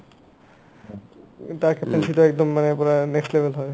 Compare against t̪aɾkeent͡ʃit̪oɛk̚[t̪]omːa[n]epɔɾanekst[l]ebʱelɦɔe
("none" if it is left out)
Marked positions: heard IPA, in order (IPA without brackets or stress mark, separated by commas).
d̪, n, l